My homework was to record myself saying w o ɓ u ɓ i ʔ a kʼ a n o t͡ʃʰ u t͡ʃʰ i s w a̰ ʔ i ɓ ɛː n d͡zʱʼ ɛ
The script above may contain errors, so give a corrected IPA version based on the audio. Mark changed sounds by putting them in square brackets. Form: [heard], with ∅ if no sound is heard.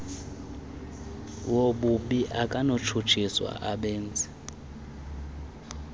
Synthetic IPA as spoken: w o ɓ u ɓ i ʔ a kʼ a n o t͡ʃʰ u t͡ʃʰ i s w a̰ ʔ [a] ɓ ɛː n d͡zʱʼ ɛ